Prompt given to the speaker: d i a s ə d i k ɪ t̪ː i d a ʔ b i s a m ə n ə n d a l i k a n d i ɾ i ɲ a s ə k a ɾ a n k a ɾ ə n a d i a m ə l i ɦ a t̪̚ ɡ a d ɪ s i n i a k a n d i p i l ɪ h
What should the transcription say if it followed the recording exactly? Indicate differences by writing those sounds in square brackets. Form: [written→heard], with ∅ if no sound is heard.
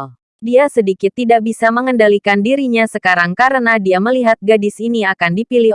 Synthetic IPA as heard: d i a s ə d i k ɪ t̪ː i d a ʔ b i s a m ə [n→ŋ] ə n d a l i k a n d i ɾ i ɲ a s ə k a ɾ a [n→ŋ] k a ɾ ə n a d i a m ə l i ɦ a t̪̚ ɡ a d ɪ s i n i a k a n d i p i l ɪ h